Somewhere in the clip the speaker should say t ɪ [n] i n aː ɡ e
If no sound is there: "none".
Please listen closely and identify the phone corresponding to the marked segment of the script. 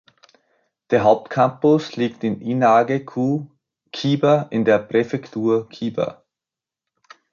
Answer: n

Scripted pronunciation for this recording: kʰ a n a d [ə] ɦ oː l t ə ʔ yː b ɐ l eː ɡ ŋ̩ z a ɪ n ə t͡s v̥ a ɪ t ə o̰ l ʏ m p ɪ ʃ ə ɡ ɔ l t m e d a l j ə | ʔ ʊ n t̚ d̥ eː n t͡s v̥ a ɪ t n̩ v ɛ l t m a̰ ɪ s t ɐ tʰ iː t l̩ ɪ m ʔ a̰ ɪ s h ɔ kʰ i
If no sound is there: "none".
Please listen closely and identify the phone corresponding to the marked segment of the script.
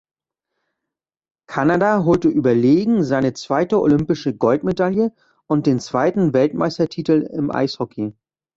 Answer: a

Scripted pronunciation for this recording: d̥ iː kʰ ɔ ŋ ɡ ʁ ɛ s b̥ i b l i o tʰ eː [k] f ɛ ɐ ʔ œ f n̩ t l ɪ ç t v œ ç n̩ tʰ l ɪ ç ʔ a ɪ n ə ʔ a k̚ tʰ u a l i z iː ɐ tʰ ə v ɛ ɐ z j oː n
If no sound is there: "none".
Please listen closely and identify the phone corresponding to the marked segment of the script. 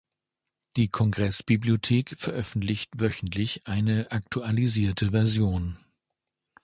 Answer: k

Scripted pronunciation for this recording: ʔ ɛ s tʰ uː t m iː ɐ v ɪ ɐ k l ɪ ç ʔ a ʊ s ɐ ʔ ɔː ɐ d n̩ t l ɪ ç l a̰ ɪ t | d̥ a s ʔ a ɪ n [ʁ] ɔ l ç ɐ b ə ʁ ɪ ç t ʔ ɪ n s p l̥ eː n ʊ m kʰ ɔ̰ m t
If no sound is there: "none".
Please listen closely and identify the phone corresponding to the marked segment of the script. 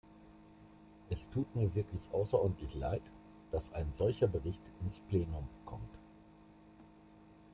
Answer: z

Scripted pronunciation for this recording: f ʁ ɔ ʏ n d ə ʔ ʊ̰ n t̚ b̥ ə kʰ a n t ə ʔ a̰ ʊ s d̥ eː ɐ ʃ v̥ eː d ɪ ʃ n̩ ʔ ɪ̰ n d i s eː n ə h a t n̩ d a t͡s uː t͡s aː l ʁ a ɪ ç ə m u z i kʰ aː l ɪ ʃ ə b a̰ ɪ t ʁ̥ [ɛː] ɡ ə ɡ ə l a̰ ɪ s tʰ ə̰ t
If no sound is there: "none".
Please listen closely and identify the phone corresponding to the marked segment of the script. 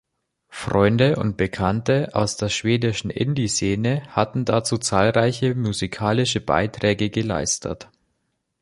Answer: ɛː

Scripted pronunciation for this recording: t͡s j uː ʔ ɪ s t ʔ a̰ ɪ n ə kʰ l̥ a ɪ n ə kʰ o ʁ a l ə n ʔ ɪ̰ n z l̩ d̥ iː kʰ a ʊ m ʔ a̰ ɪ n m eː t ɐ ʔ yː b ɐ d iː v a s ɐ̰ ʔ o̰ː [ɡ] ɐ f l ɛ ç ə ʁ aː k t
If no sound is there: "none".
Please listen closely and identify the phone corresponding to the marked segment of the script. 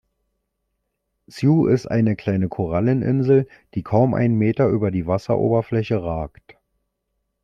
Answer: b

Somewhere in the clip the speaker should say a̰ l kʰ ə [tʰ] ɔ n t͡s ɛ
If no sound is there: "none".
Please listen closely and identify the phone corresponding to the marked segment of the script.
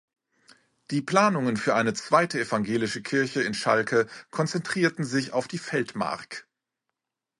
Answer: kʰ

